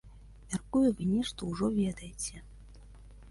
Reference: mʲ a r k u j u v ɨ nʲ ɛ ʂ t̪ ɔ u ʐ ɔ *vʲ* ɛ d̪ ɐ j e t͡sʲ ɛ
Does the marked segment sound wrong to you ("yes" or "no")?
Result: no